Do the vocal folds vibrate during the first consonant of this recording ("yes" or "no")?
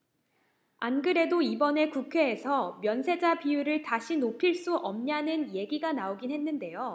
yes